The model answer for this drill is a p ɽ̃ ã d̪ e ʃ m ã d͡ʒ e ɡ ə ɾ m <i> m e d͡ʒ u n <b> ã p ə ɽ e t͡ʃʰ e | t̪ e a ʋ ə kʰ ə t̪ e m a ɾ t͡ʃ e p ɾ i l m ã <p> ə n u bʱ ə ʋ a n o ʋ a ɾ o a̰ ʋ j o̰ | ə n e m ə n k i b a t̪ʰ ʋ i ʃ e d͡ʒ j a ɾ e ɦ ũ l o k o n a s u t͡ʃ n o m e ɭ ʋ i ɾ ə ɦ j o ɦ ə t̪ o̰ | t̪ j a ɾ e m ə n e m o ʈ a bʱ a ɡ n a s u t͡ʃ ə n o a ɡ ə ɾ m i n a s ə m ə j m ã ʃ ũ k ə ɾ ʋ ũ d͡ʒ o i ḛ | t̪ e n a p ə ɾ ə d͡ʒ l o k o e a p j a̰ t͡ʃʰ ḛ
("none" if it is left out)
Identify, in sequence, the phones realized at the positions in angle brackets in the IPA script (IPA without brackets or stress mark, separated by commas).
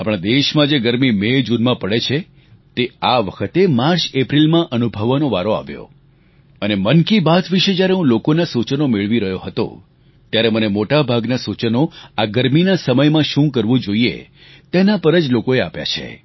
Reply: i, m, ʔ